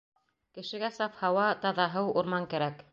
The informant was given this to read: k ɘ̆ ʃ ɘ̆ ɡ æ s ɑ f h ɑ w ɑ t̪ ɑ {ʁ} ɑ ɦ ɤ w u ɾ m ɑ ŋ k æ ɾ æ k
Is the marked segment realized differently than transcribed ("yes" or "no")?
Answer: yes